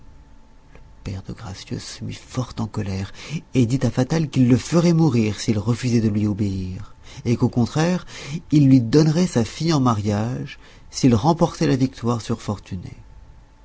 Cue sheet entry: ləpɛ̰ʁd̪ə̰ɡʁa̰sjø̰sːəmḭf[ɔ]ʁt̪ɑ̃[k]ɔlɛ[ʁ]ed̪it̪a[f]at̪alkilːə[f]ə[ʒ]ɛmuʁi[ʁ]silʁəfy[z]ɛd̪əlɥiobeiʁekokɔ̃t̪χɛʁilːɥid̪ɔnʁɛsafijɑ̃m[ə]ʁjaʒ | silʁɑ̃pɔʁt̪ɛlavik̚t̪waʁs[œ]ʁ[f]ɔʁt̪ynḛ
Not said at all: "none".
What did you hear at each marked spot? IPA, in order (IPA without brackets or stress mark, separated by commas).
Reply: ɔ, k, ʁ, f, f, ʁ, ʁ, z, a, y, f